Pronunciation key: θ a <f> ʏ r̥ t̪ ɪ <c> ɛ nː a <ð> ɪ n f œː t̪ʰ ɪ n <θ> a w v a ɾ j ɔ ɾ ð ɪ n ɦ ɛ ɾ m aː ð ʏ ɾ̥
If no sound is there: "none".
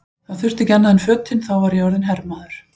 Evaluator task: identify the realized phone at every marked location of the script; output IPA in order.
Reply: θ, c, ð, θ

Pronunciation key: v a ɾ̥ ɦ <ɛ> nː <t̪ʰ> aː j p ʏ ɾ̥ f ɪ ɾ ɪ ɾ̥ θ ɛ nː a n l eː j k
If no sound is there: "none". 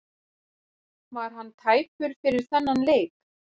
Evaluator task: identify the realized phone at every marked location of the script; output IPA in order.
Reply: a, t̪ʰ

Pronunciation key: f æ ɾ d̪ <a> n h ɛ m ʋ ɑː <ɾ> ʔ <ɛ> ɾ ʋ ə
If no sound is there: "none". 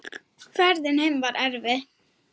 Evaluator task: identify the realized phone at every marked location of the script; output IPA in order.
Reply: ə, ɾ, æ

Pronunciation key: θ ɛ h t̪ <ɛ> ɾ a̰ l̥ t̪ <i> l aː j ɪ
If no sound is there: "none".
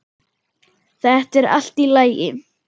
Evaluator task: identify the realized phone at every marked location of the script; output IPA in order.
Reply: ɛ, i

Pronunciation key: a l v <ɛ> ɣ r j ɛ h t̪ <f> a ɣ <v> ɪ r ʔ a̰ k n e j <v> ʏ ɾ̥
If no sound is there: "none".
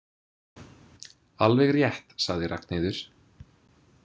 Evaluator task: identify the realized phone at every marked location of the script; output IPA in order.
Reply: ɛ, s, ð, ð

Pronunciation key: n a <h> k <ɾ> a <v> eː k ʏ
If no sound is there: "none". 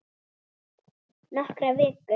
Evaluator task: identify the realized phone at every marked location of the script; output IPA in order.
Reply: h, ɾ, v

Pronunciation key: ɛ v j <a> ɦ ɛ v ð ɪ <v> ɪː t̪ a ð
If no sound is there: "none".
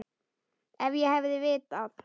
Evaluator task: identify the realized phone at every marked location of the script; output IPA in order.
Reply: ɛ, v

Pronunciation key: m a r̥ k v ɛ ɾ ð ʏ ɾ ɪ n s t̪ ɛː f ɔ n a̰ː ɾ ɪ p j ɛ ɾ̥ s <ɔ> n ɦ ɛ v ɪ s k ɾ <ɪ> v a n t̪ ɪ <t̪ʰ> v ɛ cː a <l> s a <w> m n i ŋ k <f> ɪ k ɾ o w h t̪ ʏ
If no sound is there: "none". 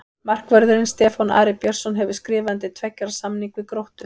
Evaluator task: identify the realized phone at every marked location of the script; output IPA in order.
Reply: ɔ, ɪː, t̪ʰ, ɾ, none, v

